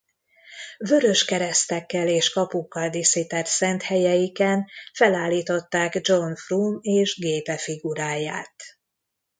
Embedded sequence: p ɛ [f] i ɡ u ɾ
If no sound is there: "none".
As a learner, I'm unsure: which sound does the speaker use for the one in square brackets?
f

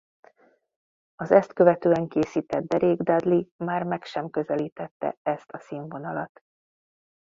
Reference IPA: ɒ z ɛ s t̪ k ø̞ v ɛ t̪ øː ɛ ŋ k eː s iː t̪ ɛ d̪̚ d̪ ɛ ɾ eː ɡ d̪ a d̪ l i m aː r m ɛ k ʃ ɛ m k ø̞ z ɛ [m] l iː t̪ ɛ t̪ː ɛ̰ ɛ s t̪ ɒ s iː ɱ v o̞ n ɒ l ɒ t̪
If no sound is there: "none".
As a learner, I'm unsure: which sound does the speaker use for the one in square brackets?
none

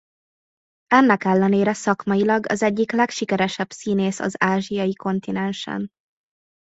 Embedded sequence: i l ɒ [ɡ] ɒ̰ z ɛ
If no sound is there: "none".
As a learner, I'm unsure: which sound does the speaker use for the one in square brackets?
ɡ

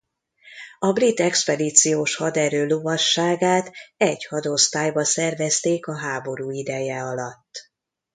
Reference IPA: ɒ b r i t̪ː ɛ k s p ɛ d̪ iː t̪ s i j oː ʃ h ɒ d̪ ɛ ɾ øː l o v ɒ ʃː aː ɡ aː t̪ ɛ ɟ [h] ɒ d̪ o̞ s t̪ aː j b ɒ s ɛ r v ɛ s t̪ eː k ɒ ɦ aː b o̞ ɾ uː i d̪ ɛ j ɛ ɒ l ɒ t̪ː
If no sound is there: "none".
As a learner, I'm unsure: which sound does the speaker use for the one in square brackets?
h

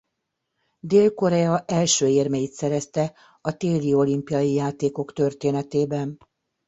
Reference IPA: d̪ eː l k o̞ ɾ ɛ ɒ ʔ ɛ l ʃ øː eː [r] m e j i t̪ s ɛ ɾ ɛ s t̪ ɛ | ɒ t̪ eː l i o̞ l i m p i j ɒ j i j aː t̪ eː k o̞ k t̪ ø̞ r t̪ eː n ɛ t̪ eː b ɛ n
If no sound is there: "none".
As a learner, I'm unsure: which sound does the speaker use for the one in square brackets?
r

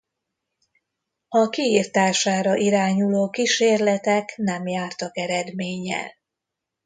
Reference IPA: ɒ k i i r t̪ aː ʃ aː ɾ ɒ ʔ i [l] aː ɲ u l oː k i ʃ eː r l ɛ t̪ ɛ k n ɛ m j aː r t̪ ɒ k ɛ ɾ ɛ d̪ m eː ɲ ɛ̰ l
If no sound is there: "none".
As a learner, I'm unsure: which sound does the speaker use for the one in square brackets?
ɾ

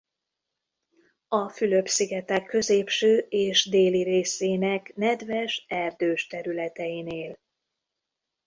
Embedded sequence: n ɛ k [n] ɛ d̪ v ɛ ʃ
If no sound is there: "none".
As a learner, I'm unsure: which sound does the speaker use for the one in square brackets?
n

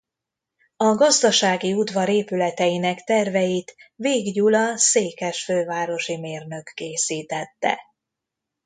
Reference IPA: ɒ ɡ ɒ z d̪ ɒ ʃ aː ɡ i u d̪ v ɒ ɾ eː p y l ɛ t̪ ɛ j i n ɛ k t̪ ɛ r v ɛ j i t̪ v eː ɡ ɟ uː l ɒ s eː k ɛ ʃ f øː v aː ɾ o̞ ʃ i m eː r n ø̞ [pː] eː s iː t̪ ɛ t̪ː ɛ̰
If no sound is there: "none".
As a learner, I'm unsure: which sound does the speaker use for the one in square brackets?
kː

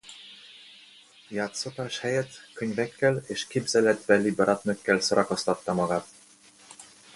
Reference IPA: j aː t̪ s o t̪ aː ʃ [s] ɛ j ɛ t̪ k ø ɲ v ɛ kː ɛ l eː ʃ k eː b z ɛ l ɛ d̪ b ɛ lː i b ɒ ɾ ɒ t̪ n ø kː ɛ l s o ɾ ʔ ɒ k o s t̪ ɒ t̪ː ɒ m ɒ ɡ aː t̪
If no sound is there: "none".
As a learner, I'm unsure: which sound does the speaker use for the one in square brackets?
h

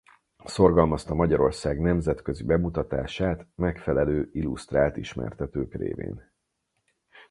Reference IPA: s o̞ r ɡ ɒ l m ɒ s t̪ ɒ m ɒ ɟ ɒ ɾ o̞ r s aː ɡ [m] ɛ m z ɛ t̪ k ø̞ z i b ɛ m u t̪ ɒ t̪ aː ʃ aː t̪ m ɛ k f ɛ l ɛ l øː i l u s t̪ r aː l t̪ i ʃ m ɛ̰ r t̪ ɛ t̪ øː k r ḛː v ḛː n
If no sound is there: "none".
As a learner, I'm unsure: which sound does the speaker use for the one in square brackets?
n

